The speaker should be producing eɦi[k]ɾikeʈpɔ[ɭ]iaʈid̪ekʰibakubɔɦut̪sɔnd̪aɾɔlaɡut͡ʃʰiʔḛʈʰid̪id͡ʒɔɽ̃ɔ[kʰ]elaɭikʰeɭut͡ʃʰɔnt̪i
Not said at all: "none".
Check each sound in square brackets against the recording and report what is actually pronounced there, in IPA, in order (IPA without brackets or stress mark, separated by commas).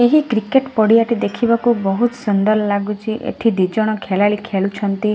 k, ɽ, kʰ